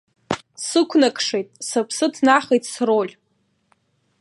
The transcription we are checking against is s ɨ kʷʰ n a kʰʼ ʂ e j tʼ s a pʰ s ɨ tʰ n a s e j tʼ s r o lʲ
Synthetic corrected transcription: s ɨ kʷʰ n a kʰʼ ʂ e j tʼ s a pʰ s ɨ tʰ n a χ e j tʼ s r o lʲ